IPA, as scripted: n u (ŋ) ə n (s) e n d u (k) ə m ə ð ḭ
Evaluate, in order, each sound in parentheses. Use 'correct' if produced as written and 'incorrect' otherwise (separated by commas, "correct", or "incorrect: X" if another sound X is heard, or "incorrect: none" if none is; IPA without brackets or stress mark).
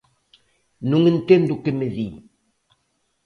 correct, incorrect: t, correct